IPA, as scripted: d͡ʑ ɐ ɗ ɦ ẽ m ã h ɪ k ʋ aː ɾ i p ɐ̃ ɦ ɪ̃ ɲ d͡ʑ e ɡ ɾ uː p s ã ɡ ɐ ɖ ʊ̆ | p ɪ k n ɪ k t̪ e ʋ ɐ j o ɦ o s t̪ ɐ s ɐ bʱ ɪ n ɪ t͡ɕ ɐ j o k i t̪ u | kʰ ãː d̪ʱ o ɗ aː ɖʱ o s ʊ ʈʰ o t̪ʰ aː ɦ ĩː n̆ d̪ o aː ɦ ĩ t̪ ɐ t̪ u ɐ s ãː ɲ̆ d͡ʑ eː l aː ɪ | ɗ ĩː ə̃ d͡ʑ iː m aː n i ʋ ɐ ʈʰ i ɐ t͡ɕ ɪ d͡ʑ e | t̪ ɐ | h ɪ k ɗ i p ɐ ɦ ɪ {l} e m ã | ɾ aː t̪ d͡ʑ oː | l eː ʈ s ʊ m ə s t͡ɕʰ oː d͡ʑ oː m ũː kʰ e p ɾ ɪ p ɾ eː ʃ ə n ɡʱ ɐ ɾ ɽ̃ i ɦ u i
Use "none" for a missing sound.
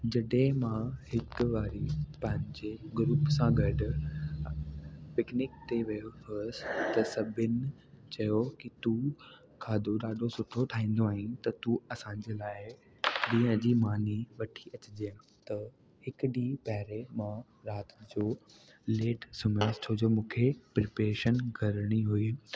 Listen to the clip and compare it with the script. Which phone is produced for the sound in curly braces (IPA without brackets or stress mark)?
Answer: ɾ